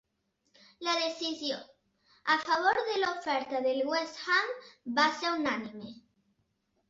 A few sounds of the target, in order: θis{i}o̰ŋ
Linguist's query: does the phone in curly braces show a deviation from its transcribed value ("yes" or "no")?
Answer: yes